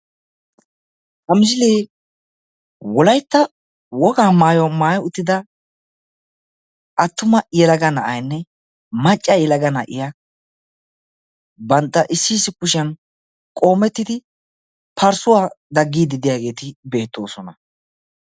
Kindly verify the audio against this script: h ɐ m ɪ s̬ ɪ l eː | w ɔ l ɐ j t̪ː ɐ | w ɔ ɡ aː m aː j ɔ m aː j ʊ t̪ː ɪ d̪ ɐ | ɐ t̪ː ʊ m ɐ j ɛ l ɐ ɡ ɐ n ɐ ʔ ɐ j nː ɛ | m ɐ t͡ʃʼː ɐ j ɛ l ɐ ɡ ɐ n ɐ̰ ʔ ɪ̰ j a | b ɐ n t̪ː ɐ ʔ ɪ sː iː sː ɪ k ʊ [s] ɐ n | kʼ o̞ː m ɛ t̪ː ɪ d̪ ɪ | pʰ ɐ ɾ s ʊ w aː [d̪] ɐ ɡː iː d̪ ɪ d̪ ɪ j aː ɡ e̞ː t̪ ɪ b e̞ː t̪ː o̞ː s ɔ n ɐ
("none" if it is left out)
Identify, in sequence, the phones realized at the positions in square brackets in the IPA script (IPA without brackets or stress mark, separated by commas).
ʃ, d̪